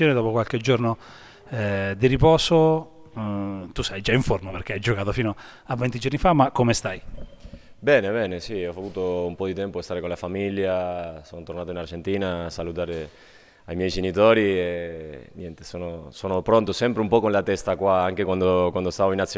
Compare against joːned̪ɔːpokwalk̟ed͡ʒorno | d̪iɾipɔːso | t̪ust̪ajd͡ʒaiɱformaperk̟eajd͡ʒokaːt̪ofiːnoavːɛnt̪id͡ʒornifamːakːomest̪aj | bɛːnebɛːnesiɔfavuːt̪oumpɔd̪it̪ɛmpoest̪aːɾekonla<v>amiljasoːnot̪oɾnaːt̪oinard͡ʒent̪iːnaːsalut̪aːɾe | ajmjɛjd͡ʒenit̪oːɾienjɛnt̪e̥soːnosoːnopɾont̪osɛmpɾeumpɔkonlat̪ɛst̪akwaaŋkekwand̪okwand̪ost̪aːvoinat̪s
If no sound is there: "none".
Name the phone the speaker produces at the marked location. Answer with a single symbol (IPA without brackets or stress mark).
f